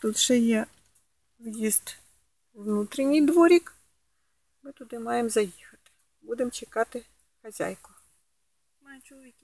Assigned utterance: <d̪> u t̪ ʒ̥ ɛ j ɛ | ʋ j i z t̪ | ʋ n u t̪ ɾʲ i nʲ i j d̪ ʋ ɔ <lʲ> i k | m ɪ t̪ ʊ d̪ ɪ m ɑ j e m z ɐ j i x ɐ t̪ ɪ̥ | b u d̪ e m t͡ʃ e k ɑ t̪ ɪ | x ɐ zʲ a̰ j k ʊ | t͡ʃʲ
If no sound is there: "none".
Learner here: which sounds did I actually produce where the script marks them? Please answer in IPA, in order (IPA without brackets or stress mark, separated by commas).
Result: t̪, ɾʲ